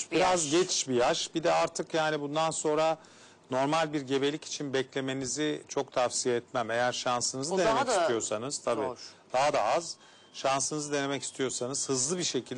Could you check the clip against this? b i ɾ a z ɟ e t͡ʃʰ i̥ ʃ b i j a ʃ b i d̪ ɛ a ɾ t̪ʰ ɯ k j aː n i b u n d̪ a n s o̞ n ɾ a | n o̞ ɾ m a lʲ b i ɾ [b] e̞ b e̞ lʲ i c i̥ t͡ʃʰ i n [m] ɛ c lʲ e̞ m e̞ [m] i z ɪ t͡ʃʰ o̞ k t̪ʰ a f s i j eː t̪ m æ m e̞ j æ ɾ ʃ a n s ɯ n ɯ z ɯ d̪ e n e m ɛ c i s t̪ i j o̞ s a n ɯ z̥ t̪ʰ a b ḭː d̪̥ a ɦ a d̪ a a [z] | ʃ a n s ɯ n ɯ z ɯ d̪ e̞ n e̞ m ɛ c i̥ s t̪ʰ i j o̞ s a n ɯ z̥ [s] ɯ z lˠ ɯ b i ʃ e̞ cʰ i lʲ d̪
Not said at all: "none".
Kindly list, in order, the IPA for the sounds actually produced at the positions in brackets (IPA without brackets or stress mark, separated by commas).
ɟ, b, n, z, h